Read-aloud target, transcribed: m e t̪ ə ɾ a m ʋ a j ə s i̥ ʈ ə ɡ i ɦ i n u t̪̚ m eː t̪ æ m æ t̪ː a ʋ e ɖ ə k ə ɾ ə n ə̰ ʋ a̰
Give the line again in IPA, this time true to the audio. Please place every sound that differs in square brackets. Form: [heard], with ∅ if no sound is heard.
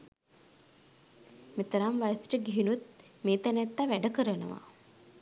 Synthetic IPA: m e t̪ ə ɾ a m ʋ a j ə s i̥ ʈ ə ɡ i ɦ i n u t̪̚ m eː t̪ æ [n] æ t̪ː a ʋ [æ] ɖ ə k ə ɾ ə n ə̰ ʋ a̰